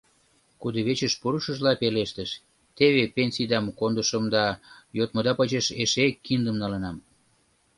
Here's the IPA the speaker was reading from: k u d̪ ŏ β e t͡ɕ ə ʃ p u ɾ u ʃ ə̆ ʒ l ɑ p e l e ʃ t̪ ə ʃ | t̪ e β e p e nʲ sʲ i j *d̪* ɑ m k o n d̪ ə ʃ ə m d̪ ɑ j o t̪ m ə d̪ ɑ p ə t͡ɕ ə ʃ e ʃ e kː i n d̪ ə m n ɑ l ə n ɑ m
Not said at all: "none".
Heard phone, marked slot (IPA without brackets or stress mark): d̪